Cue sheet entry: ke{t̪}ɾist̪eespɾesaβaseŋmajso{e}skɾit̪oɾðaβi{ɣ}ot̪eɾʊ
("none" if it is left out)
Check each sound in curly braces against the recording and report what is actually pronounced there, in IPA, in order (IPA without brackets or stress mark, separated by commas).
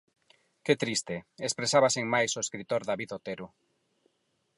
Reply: t̪, e, ð